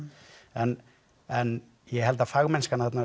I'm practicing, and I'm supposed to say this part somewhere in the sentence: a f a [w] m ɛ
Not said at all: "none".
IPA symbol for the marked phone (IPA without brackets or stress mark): ɣ